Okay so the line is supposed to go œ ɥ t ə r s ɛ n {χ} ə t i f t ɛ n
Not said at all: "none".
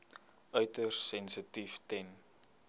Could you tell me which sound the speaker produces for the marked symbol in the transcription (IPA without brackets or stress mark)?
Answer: s